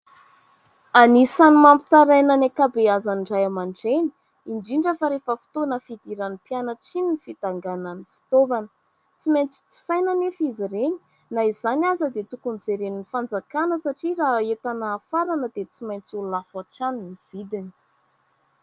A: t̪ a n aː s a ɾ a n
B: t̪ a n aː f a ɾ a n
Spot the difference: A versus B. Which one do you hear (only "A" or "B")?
B